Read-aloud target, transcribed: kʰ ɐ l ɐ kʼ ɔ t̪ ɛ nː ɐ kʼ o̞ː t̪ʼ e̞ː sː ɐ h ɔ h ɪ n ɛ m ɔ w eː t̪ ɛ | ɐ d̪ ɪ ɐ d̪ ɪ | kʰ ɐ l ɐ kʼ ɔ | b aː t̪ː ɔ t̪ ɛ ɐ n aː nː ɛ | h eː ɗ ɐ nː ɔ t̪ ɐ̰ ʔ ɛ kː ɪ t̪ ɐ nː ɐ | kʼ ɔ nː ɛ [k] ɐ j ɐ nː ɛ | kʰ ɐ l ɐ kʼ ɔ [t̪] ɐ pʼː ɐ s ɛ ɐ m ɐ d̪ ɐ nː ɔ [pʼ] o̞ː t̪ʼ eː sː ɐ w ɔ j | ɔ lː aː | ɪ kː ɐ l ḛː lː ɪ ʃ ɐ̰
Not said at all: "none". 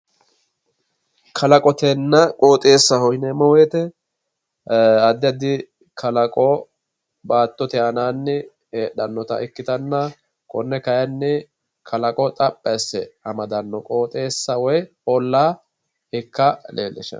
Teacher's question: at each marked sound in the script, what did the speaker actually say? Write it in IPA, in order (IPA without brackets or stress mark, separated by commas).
k, t̪ʼ, kʼ